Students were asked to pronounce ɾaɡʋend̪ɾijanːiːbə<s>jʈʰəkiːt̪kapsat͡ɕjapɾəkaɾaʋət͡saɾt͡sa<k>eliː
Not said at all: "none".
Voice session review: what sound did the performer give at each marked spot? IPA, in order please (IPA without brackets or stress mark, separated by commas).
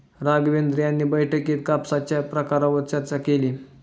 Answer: none, k